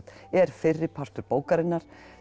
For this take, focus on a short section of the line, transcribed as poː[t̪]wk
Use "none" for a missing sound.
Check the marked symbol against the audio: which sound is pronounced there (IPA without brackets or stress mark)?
none